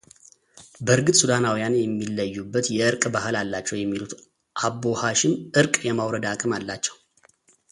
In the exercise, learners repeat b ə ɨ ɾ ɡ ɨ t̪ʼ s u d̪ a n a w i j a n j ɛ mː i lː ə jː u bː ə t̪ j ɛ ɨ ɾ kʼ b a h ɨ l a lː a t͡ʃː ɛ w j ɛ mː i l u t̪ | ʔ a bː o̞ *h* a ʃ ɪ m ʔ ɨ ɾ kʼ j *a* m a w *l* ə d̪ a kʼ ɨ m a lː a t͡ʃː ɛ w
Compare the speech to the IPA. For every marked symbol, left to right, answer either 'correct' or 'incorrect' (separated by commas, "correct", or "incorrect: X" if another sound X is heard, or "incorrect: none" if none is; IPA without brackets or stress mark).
correct, incorrect: ɛ, incorrect: ɾ